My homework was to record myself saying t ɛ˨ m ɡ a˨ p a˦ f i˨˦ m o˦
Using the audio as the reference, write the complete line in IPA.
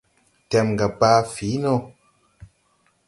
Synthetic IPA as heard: t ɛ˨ m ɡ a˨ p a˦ f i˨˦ n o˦